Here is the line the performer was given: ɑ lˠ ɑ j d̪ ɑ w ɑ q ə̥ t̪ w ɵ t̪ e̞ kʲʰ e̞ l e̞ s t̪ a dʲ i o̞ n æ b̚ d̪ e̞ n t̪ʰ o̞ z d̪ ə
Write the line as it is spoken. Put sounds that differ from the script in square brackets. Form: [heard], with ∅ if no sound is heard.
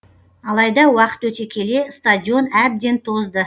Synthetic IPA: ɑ lˠ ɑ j d̪ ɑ w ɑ q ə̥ t̪ w ɵ t̪ e̞ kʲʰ e̞ l e̞ s t̪ a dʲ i o̞ n æ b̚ d̪ e̞ n t̪ʰ o̞ z d̪ ə